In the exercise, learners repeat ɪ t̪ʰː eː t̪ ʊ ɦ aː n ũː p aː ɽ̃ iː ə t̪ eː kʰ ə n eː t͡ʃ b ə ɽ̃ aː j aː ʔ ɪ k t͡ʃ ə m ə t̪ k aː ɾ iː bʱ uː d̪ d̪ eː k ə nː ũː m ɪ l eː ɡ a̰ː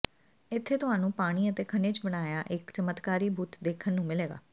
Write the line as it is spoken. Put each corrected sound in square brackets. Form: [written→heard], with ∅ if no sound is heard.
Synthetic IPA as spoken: ɪ t̪ʰː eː t̪ ʊ ɦ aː n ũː p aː ɽ̃ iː ə t̪ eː kʰ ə n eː t͡ʃ b ə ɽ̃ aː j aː ʔ ɪ k t͡ʃ ə m ə t̪ k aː ɾ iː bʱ uː [d̪→t̪] d̪ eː [k→kʰ] ə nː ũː m ɪ l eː ɡ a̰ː